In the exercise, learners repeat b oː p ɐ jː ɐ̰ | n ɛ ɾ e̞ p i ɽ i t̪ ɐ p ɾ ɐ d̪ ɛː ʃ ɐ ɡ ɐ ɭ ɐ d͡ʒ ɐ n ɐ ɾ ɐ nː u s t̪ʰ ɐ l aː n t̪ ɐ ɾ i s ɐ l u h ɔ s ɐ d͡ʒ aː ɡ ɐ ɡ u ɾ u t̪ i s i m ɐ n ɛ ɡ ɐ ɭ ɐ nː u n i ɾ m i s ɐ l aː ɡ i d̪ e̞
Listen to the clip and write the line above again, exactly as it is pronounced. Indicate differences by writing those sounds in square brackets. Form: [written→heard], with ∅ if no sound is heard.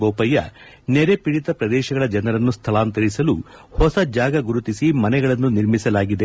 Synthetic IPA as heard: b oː p ɐ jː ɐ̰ | n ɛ ɾ e̞ p i ɽ i t̪ ɐ p ɾ ɐ d̪ ɛː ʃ ɐ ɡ ɐ ɭ ɐ d͡ʒ ɐ n ɐ ɾ ɐ nː u s t̪ʰ ɐ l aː n t̪ ɐ ɾ i s ɐ l u h ɔ s ɐ d͡ʒ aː ɡ ɐ ɡ u ɾ u t̪ i s i m ɐ n ɛ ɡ ɐ ɭ ɐ nː u n i ɾ m i s ɐ l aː ɡ i d̪ e̞